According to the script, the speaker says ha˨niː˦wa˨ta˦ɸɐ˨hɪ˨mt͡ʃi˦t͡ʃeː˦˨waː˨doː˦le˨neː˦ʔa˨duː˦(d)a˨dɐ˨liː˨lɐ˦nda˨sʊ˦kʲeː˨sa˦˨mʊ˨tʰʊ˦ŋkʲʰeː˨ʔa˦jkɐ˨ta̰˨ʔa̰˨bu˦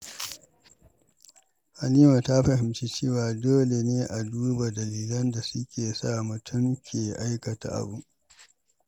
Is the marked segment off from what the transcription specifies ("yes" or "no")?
yes